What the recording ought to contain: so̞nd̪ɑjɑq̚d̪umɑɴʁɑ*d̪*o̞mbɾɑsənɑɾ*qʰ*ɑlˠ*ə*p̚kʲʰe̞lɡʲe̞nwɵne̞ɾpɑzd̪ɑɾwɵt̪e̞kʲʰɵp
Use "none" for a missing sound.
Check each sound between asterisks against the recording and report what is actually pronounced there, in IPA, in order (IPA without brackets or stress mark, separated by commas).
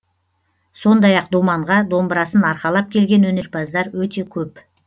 d̪, q, ɑ